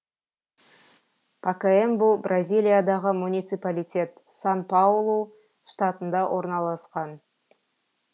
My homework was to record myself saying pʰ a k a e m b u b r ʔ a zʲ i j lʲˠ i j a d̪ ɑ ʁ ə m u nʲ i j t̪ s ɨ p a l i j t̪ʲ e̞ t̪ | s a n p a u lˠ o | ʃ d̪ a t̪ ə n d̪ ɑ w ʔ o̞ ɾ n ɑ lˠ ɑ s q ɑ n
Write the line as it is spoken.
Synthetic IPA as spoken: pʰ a k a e m b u b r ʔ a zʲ i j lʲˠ i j a d̪ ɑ ʁ ə m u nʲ i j t̪ s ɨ p a l i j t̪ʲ e̞ t̪ | s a n p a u lˠ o | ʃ t̪ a t̪ ə n d̪ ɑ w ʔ o̞ ɾ n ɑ lˠ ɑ s q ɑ n